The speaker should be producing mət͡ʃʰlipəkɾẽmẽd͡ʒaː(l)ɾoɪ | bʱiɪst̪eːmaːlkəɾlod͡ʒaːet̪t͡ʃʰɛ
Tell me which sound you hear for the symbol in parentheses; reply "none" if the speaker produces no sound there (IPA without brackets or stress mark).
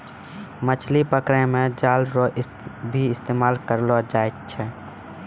l